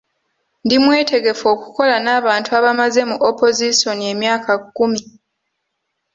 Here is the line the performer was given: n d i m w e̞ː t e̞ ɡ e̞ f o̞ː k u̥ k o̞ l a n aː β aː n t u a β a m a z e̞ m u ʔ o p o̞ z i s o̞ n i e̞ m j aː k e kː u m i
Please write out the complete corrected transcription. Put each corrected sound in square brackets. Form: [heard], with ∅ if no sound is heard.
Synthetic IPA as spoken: n d i m w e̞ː t e̞ ɡ e̞ f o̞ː k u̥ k o̞ l a n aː β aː n t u a β a m a z e̞ m u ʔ o p o̞ z i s o̞ n i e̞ m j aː k [a] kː u m i

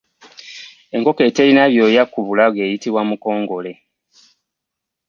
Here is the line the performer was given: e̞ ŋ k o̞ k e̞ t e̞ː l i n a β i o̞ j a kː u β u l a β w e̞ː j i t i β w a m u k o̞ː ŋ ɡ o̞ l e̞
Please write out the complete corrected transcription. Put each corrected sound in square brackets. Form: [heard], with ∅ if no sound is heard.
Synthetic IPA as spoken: e̞ ŋ k o̞ k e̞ t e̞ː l i n a β [j] o̞ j a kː u β u l a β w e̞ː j i t i β w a m u k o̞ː ŋ ɡ o̞ l e̞

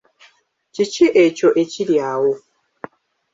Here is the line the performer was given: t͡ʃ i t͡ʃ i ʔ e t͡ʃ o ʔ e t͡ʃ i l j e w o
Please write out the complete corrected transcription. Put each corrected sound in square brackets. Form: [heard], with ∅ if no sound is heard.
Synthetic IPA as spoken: t͡ʃ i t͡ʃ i ʔ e t͡ʃ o ʔ e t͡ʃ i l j [a] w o

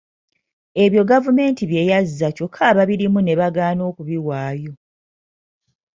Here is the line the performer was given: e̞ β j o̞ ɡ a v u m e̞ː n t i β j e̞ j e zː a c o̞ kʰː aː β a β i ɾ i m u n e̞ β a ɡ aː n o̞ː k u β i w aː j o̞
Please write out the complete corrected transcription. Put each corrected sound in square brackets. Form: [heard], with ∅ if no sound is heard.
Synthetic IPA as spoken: e̞ β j o̞ ɡ a v u m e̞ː n t i β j e̞ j [a] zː a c o̞ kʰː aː β a β i ɾ i m u n e̞ β a ɡ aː n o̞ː k u β i w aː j o̞

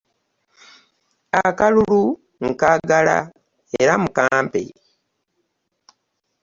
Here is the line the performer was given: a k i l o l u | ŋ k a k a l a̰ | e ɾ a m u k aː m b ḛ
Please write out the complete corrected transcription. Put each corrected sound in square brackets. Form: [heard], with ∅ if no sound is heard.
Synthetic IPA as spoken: a k [a] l [u] l u | ŋ k a [ɡ] a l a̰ | e ɾ a m u k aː m [p] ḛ

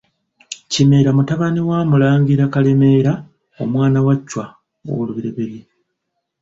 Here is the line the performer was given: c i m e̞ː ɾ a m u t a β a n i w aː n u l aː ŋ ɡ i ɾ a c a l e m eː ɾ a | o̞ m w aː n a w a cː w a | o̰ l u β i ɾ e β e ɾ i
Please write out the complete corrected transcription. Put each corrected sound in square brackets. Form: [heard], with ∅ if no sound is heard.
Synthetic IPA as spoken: c i m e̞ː ɾ a m u t a β a n i w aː [m] u l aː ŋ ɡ i ɾ a [k] a l e m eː ɾ a | o̞ m w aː n a w a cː w a | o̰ l u β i ɾ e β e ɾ i

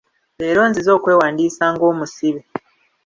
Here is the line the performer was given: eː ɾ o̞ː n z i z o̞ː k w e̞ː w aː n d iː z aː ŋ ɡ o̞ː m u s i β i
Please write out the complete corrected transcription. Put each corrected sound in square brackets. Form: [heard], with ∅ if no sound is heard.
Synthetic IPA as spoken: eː ɾ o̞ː n z i z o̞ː k w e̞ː w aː n d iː [s] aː ŋ ɡ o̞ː m u s i β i

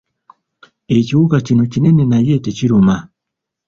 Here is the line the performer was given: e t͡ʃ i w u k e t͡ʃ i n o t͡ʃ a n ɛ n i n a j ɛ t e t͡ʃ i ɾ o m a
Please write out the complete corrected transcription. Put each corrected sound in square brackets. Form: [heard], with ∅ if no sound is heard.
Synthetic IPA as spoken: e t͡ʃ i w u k [a] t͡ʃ i n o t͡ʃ [i] n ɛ n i n a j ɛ t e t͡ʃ i ɾ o m a

